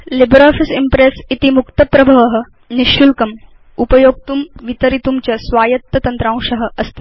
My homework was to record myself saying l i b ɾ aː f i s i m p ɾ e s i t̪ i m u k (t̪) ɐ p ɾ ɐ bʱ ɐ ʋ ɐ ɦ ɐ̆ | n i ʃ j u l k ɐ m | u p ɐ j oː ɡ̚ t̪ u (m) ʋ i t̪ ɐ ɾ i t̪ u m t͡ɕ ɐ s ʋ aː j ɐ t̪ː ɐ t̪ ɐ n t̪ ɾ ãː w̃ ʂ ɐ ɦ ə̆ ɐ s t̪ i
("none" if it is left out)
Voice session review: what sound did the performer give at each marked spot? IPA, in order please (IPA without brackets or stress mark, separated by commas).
t̪, m